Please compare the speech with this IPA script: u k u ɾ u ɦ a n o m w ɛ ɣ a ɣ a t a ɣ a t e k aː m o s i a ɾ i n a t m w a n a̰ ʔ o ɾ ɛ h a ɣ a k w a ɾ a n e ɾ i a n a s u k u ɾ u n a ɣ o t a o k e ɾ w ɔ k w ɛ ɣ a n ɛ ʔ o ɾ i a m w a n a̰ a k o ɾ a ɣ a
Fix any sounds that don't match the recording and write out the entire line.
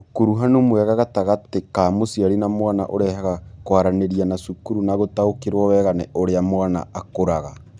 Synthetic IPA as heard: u k u ɾ u ɦ a n o m w ɛ ɣ a ɣ a t a ɣ a t e k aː m o s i a ɾ i n a m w a n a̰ ʔ o ɾ ɛ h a ɣ a k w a ɾ a n e ɾ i a n a s u k u ɾ u n a ɣ o t a o k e ɾ w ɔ w ɛ ɣ a n ɛ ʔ o ɾ e a m w a n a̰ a k o ɾ a ɣ a